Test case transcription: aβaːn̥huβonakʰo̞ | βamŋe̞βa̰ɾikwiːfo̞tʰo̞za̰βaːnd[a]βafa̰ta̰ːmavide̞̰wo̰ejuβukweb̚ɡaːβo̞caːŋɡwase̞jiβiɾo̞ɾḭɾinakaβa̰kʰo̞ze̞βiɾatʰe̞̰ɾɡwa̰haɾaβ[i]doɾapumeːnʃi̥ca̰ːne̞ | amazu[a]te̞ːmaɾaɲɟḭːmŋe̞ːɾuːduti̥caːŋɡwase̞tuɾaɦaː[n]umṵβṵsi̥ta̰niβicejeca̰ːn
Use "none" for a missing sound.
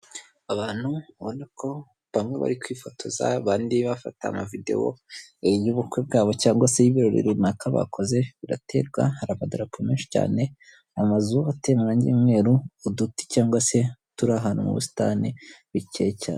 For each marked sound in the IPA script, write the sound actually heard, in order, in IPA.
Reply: i, a, a, n

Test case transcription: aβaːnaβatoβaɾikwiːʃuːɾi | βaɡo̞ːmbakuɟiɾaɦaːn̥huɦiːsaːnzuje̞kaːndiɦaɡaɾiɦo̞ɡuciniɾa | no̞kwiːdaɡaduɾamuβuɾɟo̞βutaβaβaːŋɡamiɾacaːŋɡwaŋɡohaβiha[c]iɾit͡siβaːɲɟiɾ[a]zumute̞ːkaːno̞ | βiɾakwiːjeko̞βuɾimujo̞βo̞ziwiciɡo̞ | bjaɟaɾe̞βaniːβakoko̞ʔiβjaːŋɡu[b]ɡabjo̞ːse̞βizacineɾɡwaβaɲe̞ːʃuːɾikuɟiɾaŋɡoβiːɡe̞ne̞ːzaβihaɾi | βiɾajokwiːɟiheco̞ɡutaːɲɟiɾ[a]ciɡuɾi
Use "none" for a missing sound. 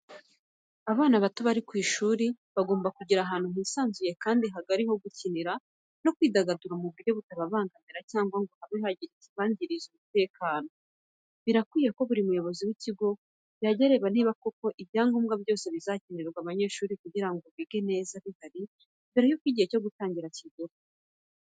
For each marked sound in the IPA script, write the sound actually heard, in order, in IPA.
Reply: ɟ, i, m, a

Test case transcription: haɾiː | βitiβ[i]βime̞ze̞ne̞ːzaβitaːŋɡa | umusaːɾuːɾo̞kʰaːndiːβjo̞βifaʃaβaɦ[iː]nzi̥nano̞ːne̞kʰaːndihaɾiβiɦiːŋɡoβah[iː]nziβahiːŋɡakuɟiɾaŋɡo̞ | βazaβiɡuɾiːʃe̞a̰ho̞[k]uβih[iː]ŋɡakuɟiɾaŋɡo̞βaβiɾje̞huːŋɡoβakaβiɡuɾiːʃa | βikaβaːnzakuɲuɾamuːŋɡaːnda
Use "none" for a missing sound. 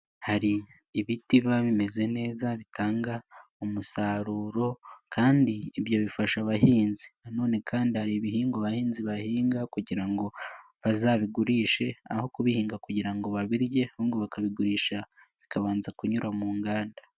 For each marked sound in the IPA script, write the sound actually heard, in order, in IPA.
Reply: a, iː, iː, k, iː

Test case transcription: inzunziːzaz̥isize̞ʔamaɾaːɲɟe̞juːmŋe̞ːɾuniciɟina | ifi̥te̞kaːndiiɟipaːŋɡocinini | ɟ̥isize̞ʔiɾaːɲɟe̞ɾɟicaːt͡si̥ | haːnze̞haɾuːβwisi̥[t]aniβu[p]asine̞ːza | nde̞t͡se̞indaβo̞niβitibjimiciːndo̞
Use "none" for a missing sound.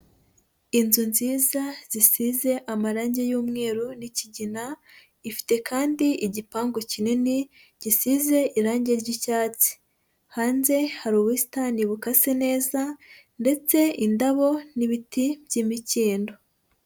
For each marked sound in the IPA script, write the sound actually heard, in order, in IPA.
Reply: t, k

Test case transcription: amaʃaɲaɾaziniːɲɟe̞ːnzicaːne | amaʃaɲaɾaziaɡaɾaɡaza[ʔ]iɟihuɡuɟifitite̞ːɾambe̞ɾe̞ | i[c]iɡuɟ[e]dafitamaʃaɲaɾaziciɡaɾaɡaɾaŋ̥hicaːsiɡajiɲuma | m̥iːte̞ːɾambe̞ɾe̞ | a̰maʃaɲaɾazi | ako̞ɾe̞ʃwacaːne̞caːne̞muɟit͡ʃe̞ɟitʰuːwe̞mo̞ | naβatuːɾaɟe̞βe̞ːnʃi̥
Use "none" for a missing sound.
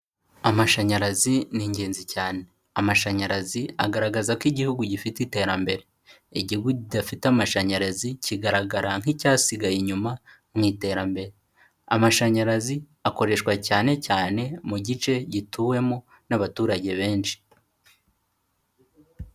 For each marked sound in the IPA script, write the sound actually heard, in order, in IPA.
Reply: k, ɟ, i

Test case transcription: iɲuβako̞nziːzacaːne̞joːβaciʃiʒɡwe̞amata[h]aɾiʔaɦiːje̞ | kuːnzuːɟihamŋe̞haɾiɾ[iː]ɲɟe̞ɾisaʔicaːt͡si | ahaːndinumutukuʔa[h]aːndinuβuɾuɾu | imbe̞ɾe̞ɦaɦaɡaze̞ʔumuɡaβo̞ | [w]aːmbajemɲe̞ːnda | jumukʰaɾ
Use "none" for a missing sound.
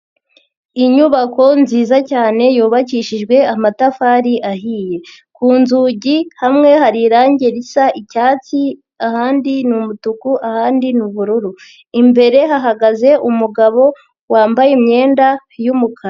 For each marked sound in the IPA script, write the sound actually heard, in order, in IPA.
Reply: f, aː, h, w

